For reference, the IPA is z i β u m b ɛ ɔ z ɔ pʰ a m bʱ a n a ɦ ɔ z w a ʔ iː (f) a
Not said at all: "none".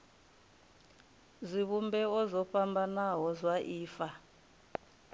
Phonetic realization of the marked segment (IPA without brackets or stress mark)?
f